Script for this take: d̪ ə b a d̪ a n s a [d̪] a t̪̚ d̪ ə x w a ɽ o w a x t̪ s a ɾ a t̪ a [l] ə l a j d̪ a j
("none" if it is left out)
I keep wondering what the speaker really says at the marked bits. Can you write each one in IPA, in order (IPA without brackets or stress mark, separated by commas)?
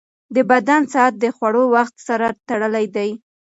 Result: none, ɽ